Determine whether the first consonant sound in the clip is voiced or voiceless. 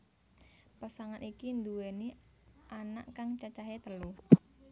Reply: voiceless